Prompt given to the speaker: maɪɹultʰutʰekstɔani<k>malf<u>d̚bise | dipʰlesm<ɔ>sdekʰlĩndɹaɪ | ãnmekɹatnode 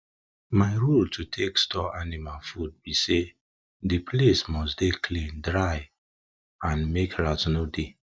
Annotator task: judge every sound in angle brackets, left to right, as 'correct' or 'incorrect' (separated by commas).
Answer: incorrect, correct, correct